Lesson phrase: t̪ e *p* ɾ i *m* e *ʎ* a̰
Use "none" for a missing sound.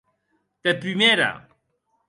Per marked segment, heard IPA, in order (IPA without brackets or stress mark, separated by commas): p, m, ɾ